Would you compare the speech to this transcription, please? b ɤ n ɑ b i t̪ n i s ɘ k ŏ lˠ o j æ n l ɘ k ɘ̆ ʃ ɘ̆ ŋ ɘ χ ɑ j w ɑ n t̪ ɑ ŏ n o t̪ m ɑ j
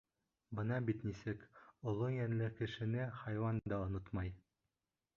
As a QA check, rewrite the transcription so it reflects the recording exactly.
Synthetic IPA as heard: b ɤ n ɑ b i t̪ n i s ɘ k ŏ lˠ o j æ n l ɘ k ɘ̆ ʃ ɘ̆ n ɘ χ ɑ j w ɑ n d̪ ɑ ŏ n o t̪ m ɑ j